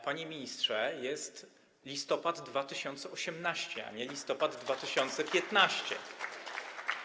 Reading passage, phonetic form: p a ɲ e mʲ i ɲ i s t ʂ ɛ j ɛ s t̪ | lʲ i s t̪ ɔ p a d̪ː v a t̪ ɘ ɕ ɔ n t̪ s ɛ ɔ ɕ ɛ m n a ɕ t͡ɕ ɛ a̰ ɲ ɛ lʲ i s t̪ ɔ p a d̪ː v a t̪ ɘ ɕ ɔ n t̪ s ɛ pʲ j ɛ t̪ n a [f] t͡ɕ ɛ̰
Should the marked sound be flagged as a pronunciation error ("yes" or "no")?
yes